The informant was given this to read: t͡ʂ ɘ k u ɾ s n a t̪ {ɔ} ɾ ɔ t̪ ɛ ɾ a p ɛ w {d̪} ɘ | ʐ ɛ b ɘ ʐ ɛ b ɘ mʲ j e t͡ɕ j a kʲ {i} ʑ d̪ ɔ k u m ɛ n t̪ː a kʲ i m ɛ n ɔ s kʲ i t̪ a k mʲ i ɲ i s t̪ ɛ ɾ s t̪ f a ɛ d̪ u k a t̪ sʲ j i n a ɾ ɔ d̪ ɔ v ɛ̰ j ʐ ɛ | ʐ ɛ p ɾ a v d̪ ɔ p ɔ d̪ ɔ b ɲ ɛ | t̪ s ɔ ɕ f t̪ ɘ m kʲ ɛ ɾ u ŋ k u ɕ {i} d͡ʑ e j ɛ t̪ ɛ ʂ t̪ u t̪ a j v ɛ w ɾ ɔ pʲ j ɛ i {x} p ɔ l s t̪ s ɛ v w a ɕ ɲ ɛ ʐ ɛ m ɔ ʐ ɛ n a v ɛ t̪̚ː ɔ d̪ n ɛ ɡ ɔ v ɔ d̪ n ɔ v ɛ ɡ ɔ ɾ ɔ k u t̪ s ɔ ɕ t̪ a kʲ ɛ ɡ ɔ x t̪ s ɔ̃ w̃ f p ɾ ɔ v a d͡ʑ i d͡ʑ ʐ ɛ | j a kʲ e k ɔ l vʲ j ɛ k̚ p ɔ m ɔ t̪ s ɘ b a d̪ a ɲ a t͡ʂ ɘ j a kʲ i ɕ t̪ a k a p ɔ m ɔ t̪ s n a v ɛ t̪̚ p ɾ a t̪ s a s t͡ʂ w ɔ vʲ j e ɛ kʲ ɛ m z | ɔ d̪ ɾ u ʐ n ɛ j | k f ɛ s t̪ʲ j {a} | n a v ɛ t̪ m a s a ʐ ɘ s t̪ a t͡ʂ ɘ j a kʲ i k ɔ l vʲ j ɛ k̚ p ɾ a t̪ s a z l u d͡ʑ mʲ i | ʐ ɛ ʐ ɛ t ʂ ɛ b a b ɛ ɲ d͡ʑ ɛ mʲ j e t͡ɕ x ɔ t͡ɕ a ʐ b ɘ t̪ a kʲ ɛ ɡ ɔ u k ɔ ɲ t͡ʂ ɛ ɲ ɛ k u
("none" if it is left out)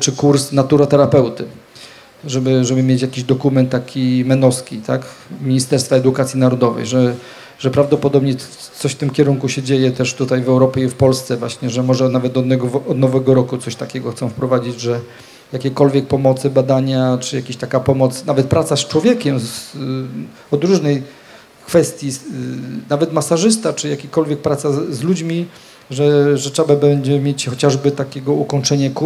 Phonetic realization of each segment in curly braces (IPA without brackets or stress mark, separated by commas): u, t̪, i, ɛ, f, i